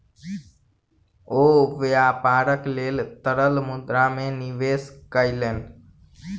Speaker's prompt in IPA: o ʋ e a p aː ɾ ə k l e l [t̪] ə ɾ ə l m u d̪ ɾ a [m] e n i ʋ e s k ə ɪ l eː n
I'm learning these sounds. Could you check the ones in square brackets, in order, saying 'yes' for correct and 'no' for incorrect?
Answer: yes, yes

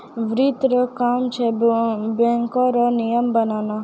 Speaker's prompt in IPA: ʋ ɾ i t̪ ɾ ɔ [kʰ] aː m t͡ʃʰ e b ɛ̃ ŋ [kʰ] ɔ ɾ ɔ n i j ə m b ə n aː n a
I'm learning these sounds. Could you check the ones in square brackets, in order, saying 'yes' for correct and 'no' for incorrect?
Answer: no, no

